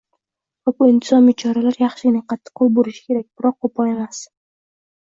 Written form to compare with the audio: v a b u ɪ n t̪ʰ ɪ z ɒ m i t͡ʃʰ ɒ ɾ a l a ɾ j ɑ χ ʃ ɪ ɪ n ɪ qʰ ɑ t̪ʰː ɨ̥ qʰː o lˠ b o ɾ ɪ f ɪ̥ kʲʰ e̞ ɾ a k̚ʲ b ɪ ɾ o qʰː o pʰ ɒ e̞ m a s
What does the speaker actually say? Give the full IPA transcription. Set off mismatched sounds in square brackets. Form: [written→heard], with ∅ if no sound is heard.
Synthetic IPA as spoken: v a b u ɪ n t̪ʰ ɪ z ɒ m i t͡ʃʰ ɒ ɾ a l a ɾ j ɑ χ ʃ ɪ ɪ n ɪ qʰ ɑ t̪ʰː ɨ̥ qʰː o lˠ b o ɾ ɪ [f→ʃ] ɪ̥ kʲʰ e̞ ɾ a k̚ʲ b ɪ ɾ [o→ɒ] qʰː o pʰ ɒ e̞ m a s